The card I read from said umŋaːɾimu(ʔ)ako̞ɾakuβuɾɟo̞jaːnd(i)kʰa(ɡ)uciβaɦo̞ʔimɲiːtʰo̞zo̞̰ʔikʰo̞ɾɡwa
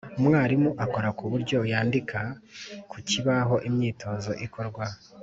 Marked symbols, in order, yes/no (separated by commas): yes, yes, no